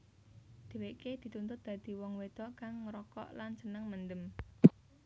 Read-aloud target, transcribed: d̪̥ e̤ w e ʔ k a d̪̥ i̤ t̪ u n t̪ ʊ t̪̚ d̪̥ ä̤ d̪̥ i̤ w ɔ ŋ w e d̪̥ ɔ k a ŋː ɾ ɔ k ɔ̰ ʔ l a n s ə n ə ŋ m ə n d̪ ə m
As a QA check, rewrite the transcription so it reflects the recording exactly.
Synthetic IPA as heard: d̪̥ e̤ w e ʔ k e d̪̥ i̤ t̪ u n t̪ ʊ t̪̚ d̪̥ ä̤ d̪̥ i̤ w ɔ ŋ w e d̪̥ ɔ k a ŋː ɾ ɔ k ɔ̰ ʔ l a n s ə n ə ŋ m ə n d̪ ə m

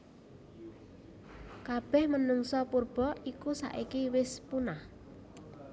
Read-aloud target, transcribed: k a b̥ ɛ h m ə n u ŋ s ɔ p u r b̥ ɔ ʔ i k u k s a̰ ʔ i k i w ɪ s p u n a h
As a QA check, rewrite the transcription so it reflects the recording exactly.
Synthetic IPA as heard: k a b̥ ɛ h m ə n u ŋ s ɔ p u r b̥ ɔ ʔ i k u s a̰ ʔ i k i w ɪ s p u n a h

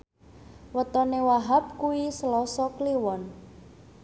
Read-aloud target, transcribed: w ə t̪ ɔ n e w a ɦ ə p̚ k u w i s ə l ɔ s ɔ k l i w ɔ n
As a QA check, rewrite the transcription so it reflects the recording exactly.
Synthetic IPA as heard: w ə t̪ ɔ n e w a ɦ a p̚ k u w i s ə l ɔ s ɔ k l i w ɔ n

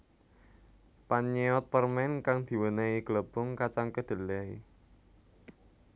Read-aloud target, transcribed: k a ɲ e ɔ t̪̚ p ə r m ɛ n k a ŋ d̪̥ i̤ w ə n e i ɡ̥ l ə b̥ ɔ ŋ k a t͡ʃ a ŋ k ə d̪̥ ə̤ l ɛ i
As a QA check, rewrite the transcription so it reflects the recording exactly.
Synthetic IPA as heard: p a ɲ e ɔ t̪̚ p ə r m ɛ n k a ŋ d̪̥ i̤ w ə n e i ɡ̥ l ə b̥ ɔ ŋ k a t͡ʃ a ŋ k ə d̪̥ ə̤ l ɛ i

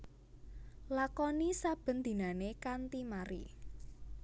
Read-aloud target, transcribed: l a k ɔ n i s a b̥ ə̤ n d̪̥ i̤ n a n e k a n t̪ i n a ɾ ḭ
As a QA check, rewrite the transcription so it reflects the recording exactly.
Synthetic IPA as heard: l a k ɔ n i s a b̥ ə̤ n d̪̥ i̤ n a n e k a n t̪ i m a ɾ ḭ

